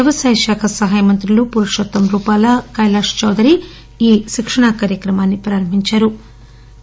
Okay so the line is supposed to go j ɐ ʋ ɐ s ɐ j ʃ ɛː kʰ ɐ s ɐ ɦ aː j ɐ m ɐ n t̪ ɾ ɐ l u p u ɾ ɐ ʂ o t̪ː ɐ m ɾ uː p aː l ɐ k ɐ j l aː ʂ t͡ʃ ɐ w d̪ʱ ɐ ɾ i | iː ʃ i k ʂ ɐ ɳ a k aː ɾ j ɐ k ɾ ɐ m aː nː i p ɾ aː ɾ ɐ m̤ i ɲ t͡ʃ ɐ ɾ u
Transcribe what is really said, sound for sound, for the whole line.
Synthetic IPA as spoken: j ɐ ʋ ɐ s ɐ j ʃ aː kʰ ɐ s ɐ ɦ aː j ɐ m ɐ n t̪ ɾ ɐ l u p u ɾ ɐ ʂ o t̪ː ɐ m ɾ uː p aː l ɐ k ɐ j l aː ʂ t͡ʃ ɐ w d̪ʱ ɐ ɾ i | iː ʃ i k ʂ ɐ ɳ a k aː ɾ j ɐ k ɾ ɐ m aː nː i p ɾ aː ɾ ɐ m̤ i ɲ t͡ʃ ɐ ɾ u